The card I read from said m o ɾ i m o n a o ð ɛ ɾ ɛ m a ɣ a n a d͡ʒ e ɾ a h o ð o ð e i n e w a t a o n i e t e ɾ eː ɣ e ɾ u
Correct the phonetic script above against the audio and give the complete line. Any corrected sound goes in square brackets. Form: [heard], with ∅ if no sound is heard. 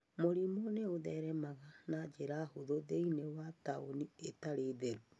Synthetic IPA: m o ɾ i m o n [e] o ð ɛ ɾ ɛ m a ɣ a n a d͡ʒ e ɾ a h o ð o ð e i n e w a t a o n i e t [a] ɾ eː [ð] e ɾ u